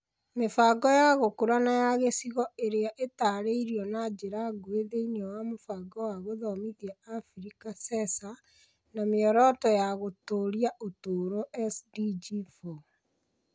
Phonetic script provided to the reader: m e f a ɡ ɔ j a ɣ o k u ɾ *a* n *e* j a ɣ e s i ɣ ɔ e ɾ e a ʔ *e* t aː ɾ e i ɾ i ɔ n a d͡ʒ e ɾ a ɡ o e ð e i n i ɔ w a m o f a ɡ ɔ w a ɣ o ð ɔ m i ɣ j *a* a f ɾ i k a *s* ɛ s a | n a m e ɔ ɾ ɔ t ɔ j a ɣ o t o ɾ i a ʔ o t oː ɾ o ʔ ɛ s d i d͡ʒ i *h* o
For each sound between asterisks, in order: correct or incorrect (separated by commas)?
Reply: correct, incorrect, correct, correct, correct, incorrect